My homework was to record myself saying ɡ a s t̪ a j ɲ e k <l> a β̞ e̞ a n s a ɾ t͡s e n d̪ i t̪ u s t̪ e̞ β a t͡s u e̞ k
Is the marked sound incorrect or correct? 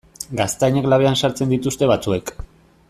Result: correct